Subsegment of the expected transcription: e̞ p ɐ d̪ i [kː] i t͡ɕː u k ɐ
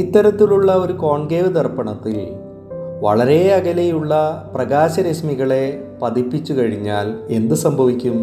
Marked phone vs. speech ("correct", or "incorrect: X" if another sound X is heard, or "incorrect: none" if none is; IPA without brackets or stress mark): incorrect: pː